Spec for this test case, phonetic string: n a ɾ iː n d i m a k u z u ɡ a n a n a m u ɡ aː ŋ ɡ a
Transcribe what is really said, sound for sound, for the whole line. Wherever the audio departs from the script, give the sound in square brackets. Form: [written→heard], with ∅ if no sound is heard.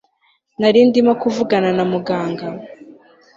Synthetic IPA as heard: n a ɾ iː n d i m a k u [z→v] u ɡ a n a n a m u ɡ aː ŋ ɡ a

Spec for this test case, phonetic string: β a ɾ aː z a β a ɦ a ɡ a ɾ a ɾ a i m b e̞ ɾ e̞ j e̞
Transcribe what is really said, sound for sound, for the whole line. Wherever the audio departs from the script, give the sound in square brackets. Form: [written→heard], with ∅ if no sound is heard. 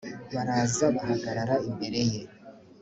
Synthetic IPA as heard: β a ɾ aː z a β a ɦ a ɡ a ɾ a ɾ a i m b e̞ ɾ e̞ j e̞

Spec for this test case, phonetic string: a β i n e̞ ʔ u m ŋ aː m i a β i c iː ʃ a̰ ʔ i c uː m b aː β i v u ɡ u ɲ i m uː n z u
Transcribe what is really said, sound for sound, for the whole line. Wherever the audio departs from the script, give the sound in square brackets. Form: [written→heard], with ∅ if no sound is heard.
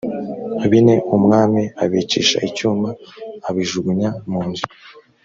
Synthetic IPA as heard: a β i n e̞ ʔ u m ŋ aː m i a β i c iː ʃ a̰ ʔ i c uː m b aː β i [v→ʒ] u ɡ u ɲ [i→a] m uː n z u

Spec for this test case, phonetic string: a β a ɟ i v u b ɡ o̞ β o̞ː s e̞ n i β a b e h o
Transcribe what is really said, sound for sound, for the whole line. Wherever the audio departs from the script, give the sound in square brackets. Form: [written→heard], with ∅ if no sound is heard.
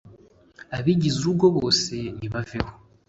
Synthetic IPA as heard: a β [a→i] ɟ i [v→z] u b ɡ o̞ β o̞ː s e̞ n i β a [b→v] e h o

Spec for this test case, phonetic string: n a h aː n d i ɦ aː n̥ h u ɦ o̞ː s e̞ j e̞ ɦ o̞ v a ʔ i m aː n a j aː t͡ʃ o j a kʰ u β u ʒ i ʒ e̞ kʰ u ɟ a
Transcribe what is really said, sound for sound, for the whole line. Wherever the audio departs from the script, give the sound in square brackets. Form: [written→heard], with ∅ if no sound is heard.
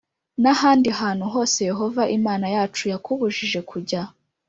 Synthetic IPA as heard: n a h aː n d i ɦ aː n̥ h u ɦ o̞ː s e̞ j e̞ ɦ o̞ v a ʔ i m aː n a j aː t͡ʃ [o→u] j a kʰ u β u ʒ i ʒ e̞ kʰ u ɟ a

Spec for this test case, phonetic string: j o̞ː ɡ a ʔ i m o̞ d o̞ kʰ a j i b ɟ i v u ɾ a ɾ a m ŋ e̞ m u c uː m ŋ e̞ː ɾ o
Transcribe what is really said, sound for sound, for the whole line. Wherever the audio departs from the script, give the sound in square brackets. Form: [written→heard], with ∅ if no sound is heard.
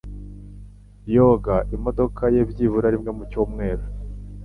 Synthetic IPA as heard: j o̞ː ɡ a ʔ i m o̞ d o̞ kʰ a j [i→e] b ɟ i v u ɾ a ɾ [a→i] m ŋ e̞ m u c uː m ŋ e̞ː ɾ o

